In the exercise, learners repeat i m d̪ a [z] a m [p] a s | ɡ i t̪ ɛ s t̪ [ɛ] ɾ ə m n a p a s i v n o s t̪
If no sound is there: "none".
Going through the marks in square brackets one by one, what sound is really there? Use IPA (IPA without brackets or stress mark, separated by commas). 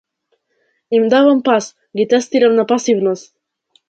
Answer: v, p, i